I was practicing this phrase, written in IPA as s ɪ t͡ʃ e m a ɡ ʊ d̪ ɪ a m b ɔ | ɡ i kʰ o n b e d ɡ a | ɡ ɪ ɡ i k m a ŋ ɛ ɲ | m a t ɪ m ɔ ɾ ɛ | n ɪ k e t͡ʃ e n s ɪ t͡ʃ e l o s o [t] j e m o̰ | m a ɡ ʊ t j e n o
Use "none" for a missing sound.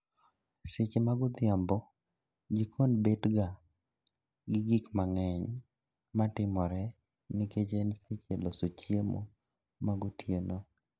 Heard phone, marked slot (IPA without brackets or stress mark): t͡ʃ